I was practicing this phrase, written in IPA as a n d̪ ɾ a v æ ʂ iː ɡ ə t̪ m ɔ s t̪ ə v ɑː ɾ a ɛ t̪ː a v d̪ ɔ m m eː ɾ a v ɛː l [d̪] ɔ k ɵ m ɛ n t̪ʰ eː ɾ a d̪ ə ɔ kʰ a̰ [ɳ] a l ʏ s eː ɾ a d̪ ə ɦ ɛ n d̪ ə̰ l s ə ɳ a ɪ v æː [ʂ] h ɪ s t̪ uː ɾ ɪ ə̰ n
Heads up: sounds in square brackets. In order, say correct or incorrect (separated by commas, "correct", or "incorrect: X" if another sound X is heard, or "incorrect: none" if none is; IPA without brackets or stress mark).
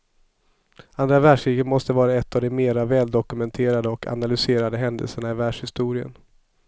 correct, incorrect: n, correct